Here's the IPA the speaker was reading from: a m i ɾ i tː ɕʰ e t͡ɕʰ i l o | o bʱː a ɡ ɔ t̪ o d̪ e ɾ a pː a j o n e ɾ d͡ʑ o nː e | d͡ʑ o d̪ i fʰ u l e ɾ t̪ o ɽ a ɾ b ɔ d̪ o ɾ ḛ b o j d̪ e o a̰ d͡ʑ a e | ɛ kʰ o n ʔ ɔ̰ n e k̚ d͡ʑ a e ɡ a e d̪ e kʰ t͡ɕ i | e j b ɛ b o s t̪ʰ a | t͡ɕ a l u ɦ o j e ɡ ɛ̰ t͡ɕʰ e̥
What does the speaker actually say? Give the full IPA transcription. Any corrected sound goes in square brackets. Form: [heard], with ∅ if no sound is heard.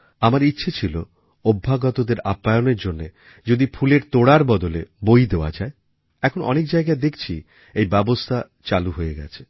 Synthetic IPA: a m [a] ɾ i tː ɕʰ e t͡ɕʰ i l o | o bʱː a ɡ ɔ t̪ o d̪ e ɾ a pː a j o n e ɾ d͡ʑ o nː e | d͡ʑ o d̪ i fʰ u l e ɾ t̪ o ɽ a ɾ b ɔ d̪ o [l] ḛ b o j d̪ e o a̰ d͡ʑ a e | ɛ kʰ o n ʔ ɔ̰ n e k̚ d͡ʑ a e ɡ a e d̪ e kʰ [t͡ɕʰ] i | e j b ɛ b o s t̪ʰ a | t͡ɕ a l u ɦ o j e ɡ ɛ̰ t͡ɕʰ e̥